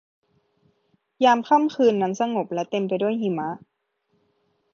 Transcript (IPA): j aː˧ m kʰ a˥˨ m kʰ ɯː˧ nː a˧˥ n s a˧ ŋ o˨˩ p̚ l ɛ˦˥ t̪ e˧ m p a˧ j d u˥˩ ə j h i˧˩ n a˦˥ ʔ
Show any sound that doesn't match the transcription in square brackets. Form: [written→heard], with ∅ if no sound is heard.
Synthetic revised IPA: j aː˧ m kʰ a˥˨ m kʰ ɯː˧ nː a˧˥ n s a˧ ŋ o˨˩ p̚ l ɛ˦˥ t̪ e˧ m p a˧ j d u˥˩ ə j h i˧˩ [n→m] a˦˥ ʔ